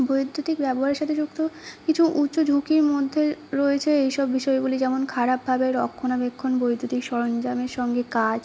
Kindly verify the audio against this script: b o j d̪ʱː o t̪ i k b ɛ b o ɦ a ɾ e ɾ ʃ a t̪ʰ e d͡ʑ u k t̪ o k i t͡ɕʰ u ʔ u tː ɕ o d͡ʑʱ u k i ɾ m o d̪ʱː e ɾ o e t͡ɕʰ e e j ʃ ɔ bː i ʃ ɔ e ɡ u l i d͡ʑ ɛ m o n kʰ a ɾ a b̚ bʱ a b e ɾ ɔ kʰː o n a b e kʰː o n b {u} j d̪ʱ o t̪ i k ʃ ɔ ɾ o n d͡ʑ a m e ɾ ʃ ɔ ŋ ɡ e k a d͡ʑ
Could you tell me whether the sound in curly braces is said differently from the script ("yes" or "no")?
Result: yes